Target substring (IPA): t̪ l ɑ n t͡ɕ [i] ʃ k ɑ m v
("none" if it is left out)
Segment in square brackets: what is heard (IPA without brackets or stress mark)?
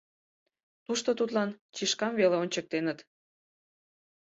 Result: i